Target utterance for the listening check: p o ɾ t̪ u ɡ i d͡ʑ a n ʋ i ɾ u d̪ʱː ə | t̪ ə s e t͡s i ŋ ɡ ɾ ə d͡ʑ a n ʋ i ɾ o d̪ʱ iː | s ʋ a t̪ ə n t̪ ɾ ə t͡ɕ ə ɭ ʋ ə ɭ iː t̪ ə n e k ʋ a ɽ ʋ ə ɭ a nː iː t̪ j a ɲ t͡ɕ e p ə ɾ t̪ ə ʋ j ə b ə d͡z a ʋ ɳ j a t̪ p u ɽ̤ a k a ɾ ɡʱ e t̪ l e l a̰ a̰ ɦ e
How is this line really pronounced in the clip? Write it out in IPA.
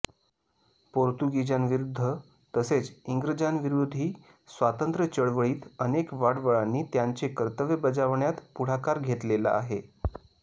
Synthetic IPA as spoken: p o ɾ t̪ u ɡ i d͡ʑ a n ʋ i ɾ u d̪ʱː ə | t̪ ə s e t͡s i ŋ ɡ ɾ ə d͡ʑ a n ʋ i ɾ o d̪ʱ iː | s ʋ a t̪ ə n t̪ ɾ ə t͡ɕ ə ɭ ʋ ə ɭ iː t̪ ə n e k ʋ a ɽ ʋ ə ɭ a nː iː t̪ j a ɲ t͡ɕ e k ə ɾ t̪ ə ʋ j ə b ə d͡z a ʋ ɳ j a t̪ p u ɽ̤ a k a ɾ ɡʱ e t̪ l e l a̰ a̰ ɦ e